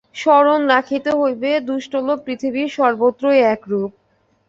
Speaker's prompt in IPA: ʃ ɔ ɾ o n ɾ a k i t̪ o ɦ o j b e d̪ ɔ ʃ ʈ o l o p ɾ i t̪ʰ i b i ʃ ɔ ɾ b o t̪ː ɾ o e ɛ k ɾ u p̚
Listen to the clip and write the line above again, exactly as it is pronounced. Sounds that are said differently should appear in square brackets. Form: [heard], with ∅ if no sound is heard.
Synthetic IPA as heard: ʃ ɔ ɾ o n ɾ a [kʰ] i t̪ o ɦ o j b e d̪ [u] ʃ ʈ o l o p ɾ i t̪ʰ i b i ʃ ɔ ɾ b o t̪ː ɾ o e ɛ k ɾ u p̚